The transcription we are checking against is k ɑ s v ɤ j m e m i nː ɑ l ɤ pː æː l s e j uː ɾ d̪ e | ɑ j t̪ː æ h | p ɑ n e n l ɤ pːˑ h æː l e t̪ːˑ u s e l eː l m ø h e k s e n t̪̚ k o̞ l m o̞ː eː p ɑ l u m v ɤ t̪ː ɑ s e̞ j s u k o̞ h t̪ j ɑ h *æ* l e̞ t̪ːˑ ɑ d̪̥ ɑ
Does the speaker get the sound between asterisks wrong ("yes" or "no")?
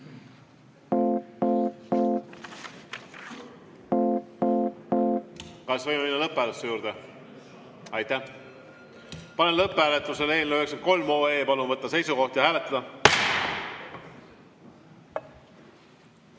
yes